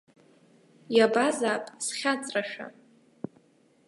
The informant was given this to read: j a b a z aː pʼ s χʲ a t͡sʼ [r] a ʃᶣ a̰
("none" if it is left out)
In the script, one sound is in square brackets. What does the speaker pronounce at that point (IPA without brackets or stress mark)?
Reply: r